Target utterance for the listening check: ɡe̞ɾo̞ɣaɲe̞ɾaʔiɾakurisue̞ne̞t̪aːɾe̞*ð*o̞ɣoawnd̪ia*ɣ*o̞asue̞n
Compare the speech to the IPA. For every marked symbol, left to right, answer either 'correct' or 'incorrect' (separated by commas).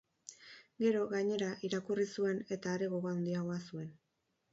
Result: incorrect, correct